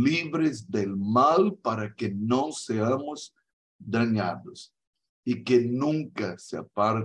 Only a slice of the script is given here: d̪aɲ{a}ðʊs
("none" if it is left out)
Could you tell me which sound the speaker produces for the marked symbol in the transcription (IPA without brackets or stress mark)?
a